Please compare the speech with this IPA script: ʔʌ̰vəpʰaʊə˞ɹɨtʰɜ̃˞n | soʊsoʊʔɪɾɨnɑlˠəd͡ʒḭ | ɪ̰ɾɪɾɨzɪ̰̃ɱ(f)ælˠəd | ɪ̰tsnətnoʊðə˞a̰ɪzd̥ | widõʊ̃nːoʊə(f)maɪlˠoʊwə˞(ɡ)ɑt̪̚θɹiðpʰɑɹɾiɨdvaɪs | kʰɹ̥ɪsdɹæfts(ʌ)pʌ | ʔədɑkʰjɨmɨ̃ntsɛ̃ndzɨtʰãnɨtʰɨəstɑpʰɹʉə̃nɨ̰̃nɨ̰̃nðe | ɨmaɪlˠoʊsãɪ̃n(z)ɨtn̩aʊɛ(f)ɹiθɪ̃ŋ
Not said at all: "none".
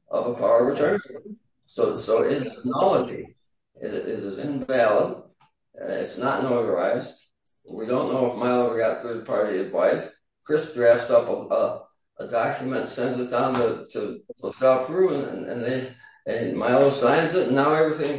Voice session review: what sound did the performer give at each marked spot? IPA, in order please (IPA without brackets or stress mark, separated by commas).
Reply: v, f, ɡ, ʌ, z, v